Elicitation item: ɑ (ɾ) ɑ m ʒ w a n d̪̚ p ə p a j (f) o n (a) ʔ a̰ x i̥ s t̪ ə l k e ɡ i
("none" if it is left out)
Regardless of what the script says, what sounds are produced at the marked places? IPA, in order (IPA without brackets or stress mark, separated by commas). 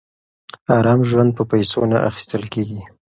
ɾ, s, a